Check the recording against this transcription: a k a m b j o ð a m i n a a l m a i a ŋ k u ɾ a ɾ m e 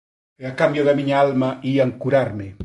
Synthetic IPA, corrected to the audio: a k a m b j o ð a m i ɲ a a l m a i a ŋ k u ɾ a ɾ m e